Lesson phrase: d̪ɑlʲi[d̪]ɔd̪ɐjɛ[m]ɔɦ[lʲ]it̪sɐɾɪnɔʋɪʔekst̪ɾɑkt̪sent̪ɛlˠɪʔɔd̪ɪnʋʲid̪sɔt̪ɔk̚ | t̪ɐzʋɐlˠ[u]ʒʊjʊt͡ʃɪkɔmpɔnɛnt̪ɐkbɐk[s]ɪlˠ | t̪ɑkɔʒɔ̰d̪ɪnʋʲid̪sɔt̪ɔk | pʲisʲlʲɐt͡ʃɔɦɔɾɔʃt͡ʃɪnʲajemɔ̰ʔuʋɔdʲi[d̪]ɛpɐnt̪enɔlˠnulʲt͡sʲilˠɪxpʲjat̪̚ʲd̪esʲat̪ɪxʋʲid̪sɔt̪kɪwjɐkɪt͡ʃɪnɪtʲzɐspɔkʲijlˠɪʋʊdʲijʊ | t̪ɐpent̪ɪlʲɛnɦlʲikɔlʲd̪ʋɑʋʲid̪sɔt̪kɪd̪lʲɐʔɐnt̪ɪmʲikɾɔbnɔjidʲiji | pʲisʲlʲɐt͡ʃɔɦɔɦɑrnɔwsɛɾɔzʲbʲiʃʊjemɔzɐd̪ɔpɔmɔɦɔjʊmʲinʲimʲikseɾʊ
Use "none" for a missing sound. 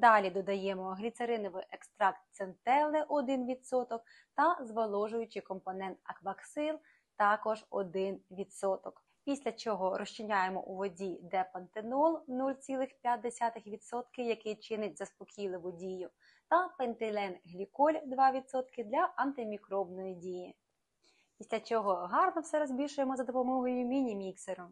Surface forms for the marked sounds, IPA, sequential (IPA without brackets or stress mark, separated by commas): d̪, m, lʲ, ɔ, s, d̪